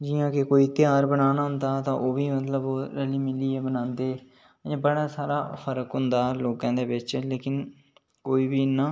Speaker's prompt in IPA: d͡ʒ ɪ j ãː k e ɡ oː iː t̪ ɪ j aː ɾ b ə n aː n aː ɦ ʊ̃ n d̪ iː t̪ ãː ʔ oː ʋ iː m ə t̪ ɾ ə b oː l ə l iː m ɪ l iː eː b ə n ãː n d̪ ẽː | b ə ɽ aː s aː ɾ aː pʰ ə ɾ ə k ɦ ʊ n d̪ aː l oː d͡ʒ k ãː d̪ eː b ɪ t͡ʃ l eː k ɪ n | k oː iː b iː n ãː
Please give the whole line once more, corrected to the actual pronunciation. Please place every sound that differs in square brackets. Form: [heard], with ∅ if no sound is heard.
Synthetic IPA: d͡ʒ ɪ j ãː k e [k] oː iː t̪ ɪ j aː ɾ b ə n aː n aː ɦ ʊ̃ n d̪ [aː] t̪ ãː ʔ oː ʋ iː m ə t̪ [l] ə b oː [ɾ] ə l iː m ɪ l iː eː b ə n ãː n d̪ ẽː | b ə ɽ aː s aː ɾ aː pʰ ə ɾ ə k ɦ ʊ n d̪ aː l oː [∅] k ãː d̪ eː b ɪ t͡ʃ l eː k ɪ n | k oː iː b iː n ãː